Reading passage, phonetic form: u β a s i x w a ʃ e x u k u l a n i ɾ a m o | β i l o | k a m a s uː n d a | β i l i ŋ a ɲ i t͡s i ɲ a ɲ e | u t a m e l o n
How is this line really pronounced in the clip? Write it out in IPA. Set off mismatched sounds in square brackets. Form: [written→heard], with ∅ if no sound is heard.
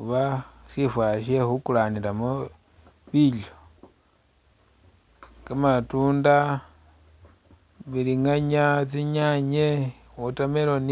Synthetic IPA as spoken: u β a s i [x→f] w a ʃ e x u k u l a n i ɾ a m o | β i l o | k a m a [s→t] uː n d a | β i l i ŋ a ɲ [i→a] t͡s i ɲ a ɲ e | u t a m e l o n